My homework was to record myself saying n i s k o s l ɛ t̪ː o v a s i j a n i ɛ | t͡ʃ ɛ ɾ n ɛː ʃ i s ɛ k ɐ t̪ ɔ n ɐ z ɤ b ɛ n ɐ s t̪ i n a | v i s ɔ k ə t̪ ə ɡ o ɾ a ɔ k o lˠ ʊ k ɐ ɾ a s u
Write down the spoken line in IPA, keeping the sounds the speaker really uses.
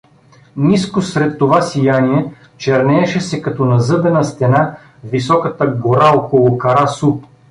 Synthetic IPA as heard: n i s k o s ɾ ɛ t̪ː o v a s i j a n i ɛ | t͡ʃ ɛ ɾ n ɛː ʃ ɛ s ɛ k ɐ t̪ ɔ n ɐ z ɤ b ɛ n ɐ s t̪ ɛ n a | v i s ɔ k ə t̪ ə ɡ o ɾ a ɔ k o lˠ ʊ k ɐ ɾ a s u